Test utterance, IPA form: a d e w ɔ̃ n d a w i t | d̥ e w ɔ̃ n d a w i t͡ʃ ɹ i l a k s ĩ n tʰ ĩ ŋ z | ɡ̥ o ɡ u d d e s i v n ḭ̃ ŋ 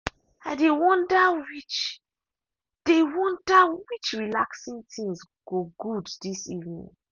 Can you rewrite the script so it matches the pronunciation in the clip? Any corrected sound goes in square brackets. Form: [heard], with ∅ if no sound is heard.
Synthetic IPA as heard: a d e w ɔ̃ n d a w i [t͡ʃ] | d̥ e w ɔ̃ n d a w i t͡ʃ ɹ i l a k s ĩ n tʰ ĩ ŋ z | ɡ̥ o ɡ u d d [i] s i v n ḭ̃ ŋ